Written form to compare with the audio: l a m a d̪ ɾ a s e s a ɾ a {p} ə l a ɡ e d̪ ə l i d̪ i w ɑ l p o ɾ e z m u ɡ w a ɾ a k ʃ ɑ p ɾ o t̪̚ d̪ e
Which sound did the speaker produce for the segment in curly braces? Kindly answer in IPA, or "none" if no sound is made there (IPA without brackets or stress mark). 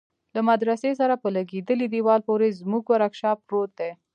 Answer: p